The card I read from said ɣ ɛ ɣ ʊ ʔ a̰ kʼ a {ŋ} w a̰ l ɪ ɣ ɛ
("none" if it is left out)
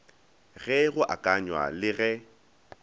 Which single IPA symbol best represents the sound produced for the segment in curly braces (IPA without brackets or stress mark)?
ɲ